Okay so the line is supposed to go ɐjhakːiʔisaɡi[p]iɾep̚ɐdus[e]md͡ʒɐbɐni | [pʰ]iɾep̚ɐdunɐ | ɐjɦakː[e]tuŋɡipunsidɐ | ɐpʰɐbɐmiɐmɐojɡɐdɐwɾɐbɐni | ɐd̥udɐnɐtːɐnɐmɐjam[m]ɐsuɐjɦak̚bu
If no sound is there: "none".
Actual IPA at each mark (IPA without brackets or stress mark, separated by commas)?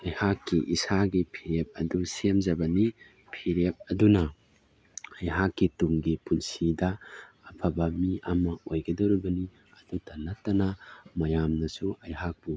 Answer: pʰ, e, pʰ, i, n